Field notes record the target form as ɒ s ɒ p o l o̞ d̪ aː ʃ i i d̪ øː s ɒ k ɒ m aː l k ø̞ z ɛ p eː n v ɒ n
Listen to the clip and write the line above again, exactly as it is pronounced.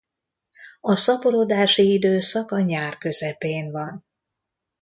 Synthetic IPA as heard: ɒ s ɒ p o l o̞ d̪ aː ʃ i i d̪ øː s ɒ k ɒ ɲ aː r k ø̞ z ɛ p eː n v ɒ n